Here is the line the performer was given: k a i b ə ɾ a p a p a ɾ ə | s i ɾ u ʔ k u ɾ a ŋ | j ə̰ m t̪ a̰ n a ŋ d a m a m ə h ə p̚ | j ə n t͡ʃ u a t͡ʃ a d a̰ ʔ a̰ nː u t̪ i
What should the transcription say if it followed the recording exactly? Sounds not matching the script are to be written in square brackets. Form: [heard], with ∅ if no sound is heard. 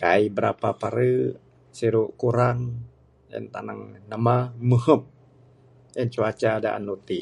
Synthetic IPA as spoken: k a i b ə ɾ a p a p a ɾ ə | s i ɾ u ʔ k u ɾ a ŋ | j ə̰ [n] t̪ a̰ n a ŋ [n] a m a m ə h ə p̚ | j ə n t͡ʃ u a t͡ʃ a d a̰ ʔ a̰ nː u t̪ i